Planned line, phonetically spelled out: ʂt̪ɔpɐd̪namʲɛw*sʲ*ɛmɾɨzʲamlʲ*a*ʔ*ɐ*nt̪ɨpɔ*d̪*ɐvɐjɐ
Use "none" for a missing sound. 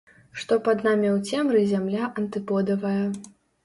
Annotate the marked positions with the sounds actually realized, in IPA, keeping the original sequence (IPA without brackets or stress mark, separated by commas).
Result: t͡sʲ, a, ɐ, d̪